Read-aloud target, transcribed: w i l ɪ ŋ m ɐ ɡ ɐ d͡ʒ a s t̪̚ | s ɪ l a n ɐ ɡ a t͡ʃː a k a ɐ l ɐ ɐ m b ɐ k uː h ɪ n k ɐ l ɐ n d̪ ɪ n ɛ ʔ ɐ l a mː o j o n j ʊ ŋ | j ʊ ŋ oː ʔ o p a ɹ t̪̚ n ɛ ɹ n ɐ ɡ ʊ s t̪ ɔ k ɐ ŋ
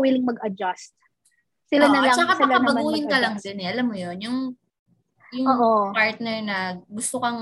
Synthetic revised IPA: w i l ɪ ŋ m ɐ ɡ ɐ d͡ʒ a s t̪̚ | s ɪ l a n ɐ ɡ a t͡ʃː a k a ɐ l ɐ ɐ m b ɐ ɡ uː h ɪ n k ɐ l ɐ ŋ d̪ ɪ n ɛ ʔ ɐ l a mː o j o n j ʊ ŋ | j ʊ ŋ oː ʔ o p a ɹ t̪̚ n ɛ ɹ n ɐ ɡ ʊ s t̪ o k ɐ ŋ